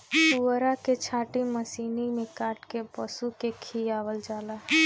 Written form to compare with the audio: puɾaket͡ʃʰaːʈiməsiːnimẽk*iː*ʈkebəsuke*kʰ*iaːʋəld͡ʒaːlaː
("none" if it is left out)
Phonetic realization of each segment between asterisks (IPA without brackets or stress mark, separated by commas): aː, kʰ